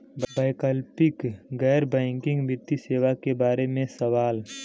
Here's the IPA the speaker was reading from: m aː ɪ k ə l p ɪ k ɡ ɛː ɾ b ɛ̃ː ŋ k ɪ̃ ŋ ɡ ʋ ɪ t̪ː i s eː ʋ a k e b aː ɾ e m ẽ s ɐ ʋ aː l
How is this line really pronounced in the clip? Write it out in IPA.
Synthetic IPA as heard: b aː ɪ k ə l p ɪ k ɡ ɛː ɾ b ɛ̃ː ŋ k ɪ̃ ŋ ɡ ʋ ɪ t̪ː i s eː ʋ a k e b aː ɾ e m ẽ s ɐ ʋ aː l